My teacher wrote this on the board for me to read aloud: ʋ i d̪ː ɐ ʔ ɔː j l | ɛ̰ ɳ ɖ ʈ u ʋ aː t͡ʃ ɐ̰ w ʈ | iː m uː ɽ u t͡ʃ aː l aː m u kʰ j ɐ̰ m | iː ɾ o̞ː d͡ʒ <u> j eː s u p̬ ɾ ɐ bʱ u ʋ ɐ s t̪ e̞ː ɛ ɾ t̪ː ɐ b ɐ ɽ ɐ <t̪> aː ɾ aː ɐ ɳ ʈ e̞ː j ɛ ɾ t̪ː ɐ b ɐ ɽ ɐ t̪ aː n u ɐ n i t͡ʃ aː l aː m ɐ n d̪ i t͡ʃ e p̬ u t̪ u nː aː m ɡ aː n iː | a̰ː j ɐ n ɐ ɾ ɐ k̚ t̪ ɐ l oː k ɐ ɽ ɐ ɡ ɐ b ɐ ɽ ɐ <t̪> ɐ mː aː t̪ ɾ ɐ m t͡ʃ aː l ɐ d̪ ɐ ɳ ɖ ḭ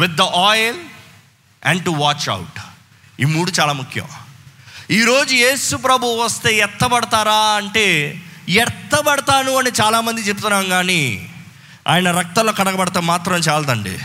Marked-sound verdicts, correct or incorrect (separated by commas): correct, correct, correct